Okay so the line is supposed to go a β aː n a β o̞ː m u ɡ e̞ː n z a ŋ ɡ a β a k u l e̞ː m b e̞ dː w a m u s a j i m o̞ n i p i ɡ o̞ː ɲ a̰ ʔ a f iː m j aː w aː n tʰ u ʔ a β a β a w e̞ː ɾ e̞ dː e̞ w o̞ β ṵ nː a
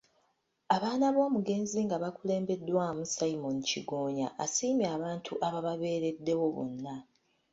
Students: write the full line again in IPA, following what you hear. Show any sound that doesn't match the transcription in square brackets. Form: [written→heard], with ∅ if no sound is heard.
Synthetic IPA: a β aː n a β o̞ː m u ɡ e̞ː n z [a→i] ŋ ɡ a β a k u l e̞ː m b e̞ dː w a m u s a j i m o̞ n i [p→c] i ɡ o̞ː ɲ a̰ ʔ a [f→s] iː m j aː [w→β] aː n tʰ u ʔ a β a β a [w→β] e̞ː ɾ e̞ dː e̞ w o̞ β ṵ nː a